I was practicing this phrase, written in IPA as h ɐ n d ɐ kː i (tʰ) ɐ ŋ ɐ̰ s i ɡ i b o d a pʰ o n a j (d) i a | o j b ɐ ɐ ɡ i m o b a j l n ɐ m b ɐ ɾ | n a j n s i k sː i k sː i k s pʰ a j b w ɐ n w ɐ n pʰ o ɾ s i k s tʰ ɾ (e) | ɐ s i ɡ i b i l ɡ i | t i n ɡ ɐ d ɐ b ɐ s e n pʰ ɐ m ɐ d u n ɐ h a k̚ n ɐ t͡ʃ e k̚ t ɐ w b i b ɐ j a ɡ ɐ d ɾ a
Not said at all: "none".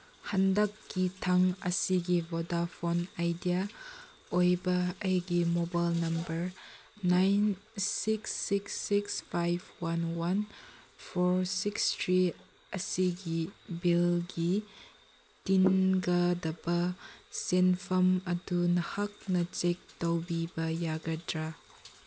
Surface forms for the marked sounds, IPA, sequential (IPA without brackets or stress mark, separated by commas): tʰ, d, i